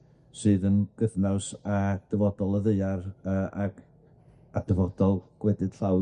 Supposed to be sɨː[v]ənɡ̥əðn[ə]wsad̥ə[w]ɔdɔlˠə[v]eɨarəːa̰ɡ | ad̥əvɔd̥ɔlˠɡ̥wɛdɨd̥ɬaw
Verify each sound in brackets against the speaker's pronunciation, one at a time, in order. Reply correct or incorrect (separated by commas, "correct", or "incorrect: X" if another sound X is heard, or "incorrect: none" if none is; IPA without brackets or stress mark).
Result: incorrect: ð, incorrect: a, incorrect: v, incorrect: ð